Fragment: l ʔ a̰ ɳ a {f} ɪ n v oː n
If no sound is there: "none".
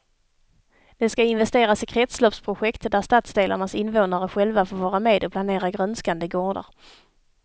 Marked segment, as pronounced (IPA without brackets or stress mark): s